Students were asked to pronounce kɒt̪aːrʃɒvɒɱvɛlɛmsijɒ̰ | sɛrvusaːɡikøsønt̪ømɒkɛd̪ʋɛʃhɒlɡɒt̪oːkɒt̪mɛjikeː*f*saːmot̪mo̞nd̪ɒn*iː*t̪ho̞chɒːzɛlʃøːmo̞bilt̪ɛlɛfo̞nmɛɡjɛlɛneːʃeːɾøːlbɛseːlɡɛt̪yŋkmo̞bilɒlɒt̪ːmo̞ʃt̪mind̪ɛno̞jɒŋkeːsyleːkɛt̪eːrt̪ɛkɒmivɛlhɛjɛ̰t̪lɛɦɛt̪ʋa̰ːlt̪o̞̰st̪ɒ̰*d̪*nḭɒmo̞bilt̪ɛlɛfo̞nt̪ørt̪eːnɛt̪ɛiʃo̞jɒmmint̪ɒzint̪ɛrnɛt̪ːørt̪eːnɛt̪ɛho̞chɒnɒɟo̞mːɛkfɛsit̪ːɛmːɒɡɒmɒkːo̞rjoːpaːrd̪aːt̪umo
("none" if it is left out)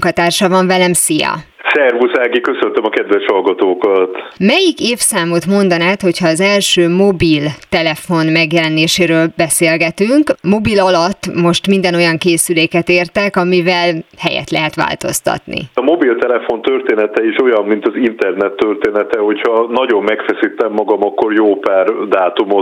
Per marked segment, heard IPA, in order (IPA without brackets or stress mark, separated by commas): f, aː, t̪